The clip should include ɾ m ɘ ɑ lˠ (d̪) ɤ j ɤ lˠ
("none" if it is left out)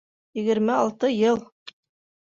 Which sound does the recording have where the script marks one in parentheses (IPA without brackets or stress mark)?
t̪